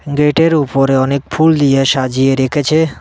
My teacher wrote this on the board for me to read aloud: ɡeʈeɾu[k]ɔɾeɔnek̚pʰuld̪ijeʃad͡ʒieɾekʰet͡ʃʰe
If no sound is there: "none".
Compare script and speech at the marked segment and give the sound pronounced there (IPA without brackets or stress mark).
p